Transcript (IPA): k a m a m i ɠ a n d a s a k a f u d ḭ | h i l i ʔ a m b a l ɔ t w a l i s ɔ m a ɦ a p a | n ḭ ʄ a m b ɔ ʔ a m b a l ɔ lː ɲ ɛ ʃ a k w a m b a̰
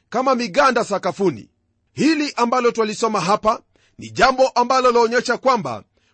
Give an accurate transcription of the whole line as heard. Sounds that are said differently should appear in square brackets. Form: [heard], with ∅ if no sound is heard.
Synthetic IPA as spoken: k a m a m i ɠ a n d a s a k a f u [n] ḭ | h i l i ʔ a m b a l ɔ t w a l i s ɔ m a ɦ a p a | n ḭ ʄ a m b ɔ ʔ a m b a l ɔ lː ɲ ɛ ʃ a k w a m b a̰